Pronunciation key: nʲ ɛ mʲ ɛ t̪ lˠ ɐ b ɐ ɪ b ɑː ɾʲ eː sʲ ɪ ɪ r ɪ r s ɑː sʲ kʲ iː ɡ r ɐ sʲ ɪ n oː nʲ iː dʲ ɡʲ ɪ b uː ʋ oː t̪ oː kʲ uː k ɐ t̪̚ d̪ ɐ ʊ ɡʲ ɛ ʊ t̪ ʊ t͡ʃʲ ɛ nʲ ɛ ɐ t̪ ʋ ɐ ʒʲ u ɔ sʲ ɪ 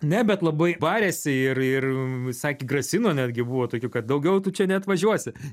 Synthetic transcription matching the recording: nʲ ɛ bʲ ɛ t̪ lˠ ɐ b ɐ ɪ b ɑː ɾʲ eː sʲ ɪ ɪ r ɪ r s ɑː kʲ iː ɡ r ɐ sʲ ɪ n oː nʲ æː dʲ ɡʲ ɪ b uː ʋ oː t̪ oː kʲ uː k ɐ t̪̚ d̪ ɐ ʊ ɡʲ ɛ ʊ t̪ ʊ t͡ʃʲ ɛ nʲ ɛ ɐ t̪ ʋ ɐ ʒʲ u ɔ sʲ ɪ